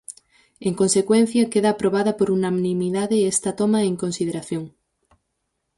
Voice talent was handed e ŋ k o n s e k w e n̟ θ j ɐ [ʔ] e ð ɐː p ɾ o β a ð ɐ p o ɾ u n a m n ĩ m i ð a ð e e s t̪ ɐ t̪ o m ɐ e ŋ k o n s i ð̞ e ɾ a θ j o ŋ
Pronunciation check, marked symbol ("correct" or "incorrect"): incorrect